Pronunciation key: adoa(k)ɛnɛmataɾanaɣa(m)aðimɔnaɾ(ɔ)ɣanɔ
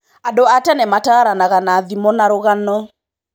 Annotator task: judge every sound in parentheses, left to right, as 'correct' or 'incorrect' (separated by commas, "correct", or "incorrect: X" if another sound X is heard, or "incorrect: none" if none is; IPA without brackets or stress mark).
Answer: incorrect: t, incorrect: n, incorrect: o